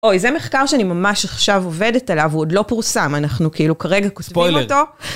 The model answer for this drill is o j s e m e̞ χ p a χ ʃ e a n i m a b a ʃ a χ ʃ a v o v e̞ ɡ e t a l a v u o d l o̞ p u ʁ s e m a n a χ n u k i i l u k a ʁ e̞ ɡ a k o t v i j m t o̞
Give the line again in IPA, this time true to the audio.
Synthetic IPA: o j z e m e̞ χ k a ʁ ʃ e a n i m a m a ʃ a χ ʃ a v o v e̞ d e t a l a v u o d l o̞ p u ʁ s a m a n a χ n u k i i l u k a ʁ e̞ ɡ a k o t v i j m t o̞

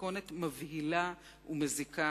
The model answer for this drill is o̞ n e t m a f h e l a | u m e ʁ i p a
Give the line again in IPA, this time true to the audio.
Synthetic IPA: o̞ n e t m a v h i l a | u m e z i k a

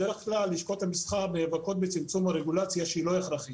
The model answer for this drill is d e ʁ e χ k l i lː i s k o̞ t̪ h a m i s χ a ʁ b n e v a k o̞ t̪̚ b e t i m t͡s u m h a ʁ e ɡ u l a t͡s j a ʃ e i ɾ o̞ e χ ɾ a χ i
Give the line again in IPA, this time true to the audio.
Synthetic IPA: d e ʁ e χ k l a lː i ʃ k o̞ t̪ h a m i s χ a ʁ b n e v a k o̞ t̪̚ b e t͡s i m t͡s u m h a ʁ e ɡ u l a t͡s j a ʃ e i l o̞ e χ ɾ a χ i

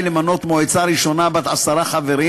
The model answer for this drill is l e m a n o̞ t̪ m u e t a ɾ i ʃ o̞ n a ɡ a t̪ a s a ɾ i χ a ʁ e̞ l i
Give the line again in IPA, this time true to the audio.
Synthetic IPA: l e m a n o̞ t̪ m o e t͡s a ɾ i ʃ o̞ n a b a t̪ a s a ɾ a χ a v e̞ ɾ i

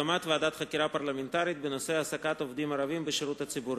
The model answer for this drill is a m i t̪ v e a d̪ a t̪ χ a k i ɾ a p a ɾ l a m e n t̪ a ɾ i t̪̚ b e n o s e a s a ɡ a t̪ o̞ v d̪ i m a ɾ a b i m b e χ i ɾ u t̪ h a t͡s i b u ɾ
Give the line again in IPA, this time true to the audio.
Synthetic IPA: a m a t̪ v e a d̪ a t̪ χ a k i ɾ a p a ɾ l a m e n t̪ a ɾ i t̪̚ b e n o s e a s a k a t̪ o̞ v d̪ i m a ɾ a v i m b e ʃ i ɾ u t̪ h a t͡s i b u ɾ

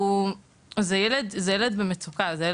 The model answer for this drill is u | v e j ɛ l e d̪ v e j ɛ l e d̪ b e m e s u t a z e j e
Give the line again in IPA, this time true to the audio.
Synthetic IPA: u | z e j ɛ l e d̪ z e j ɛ l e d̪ b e m e t͡s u k a z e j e

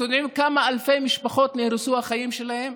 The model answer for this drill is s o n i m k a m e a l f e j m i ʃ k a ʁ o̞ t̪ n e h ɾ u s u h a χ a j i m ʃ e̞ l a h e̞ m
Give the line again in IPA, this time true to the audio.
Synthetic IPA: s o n i m k a m a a l f e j m i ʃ p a χ o̞ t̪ n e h ɾ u s u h a χ a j i m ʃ e̞ l a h e̞ m

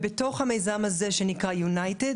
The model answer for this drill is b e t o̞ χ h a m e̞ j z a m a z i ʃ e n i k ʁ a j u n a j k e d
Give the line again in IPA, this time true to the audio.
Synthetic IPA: b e t o̞ χ h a m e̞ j z a m a z e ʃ e n i k ʁ a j u n a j t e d

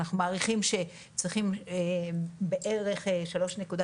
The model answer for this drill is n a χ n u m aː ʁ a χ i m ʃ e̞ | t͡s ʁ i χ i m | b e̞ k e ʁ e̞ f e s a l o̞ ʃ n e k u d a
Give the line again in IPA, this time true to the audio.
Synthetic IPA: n a χ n u m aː ʁ i χ i m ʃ e̞ | t͡s ʁ i χ i m | b e̞ ʔ e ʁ e̞ χ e ʃ a l o̞ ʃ n e k u d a

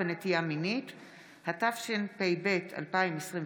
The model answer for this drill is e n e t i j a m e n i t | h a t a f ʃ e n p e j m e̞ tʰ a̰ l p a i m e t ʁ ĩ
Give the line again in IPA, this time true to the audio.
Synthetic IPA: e n e t i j a m i n i t | h a t a f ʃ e n p e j b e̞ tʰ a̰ l p a i m e s ʁ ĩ

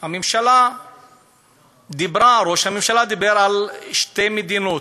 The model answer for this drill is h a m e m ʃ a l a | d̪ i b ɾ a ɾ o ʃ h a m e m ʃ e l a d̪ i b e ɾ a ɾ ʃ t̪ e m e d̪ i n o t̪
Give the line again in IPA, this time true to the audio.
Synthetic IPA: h a m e m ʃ a l a | d̪ i b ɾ a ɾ o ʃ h a m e m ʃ a l a d̪ i b e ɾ a l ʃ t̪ e m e d̪ i n o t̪

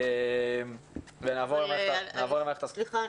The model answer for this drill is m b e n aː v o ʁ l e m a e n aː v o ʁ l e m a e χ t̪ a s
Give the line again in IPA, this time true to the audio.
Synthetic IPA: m v e n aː v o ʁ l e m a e n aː v o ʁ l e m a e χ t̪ a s

